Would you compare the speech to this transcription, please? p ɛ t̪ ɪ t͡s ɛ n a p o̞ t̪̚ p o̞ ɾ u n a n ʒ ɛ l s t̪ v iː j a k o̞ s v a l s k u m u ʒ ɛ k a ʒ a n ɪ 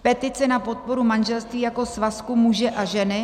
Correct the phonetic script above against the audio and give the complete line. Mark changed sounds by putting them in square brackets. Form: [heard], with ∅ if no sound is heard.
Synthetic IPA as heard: p ɛ t̪ ɪ t͡s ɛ n a p o̞ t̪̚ p o̞ ɾ u [m] a n ʒ ɛ l s t̪ v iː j a k o̞ s v a [∅] s k u m u ʒ ɛ [ʔ] a ʒ [ɛ] n ɪ

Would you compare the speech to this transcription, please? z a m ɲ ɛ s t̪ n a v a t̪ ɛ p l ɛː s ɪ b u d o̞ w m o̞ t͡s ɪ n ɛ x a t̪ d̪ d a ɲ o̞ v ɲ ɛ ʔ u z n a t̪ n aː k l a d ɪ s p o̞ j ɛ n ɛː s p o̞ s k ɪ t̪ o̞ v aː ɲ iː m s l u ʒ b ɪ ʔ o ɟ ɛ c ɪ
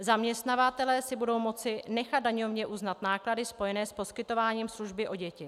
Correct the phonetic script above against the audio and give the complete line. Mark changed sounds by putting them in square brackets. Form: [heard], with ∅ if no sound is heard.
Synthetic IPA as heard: z a m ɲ ɛ s t̪ n a v a t̪ ɛ [∅] l ɛː s ɪ b u d o̞ w m o̞ t͡s ɪ n ɛ x a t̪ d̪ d a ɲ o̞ v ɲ ɛ ʔ u z n a t̪ n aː k l a d ɪ s p o̞ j ɛ n ɛː s p o̞ s k ɪ t̪ o̞ v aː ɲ iː m s l u ʒ b ɪ ʔ o ɟ ɛ c ɪ

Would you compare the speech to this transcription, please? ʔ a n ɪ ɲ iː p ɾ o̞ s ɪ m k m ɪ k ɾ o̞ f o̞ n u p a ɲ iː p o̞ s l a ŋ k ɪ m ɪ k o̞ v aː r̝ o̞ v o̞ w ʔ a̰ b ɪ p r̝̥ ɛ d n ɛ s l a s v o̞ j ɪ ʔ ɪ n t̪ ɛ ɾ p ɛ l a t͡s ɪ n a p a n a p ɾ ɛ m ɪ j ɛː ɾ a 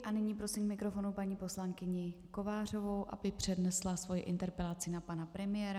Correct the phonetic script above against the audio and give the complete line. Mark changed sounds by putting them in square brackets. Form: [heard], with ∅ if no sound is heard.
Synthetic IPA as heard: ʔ a n ɪ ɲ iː p ɾ o̞ s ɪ m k m ɪ k ɾ o̞ f o̞ n u p a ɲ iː p o̞ s l a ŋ k ɪ [ɲ] ɪ k o̞ v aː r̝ o̞ v o̞ w ʔ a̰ b ɪ p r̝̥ ɛ d n ɛ s l a s v o̞ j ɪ ʔ ɪ n t̪ ɛ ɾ p ɛ l a t͡s ɪ n a p a n a p ɾ ɛ m ɪ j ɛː ɾ a

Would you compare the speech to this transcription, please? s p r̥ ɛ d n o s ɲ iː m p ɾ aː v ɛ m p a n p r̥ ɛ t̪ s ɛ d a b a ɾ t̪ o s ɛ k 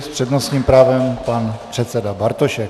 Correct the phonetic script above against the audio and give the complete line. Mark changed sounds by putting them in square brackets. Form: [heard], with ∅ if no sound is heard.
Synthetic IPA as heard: s p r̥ ɛ d n o s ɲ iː m p ɾ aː v ɛ m p a n p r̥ ɛ t̪ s ɛ d a b a ɾ t̪ o [ʃ] ɛ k

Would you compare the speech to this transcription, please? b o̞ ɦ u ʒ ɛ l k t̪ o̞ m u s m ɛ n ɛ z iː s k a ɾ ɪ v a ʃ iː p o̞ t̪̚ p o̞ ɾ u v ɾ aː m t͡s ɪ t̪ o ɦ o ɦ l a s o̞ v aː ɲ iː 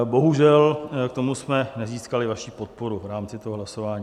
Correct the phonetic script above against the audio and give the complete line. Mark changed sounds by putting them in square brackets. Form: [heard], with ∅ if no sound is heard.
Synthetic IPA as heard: b o̞ ɦ u ʒ ɛ l k t̪ o̞ m u s m ɛ n ɛ z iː s k a [l] ɪ v a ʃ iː p o̞ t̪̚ p o̞ ɾ u v ɾ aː m t͡s ɪ t̪ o ɦ o ɦ l a s o̞ v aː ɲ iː

